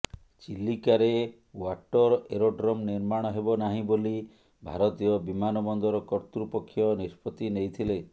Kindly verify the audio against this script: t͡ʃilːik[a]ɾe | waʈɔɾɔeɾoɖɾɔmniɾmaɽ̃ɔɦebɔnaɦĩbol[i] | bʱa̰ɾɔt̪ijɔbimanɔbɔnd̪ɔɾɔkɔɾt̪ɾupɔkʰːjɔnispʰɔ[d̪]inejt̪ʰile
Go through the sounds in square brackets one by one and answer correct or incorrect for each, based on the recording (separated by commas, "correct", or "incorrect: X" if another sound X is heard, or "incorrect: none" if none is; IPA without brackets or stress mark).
correct, correct, incorrect: t̪